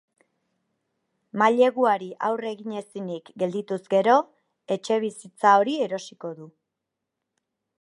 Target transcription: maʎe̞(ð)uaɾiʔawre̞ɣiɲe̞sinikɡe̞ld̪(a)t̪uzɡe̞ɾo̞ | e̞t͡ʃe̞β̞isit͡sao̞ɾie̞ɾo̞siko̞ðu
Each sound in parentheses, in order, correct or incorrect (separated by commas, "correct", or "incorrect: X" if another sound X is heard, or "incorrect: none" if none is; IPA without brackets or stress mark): incorrect: ɣ, incorrect: i